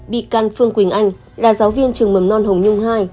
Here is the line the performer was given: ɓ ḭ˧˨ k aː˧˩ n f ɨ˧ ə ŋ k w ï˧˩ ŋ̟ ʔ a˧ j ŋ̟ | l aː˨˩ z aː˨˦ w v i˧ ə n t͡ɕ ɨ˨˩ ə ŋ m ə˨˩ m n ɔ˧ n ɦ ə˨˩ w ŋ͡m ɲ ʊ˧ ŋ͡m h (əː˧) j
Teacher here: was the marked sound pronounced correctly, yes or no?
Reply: no